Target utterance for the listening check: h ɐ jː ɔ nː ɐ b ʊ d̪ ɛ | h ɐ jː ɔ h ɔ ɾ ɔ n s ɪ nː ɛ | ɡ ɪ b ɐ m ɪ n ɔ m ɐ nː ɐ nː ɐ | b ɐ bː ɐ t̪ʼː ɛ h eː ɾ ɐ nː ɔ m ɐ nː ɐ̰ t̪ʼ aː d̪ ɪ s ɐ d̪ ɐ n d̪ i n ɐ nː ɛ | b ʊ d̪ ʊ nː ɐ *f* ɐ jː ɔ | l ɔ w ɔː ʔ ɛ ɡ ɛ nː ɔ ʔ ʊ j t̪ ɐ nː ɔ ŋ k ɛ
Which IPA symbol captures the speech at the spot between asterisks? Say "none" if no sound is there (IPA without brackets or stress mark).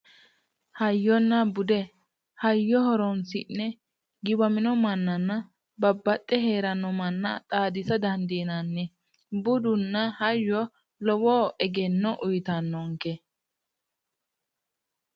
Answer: h